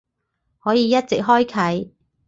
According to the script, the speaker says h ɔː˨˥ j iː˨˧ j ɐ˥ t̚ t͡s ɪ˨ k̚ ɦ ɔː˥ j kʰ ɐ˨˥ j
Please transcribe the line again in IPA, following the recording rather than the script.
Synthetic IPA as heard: h ɔː˨˥ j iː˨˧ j ɐ˥ t̚ t͡s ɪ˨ k̚ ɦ ɔː˥ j kʰ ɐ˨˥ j